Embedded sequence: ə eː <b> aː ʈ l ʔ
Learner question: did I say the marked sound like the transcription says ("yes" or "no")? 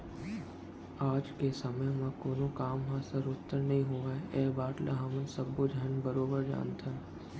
yes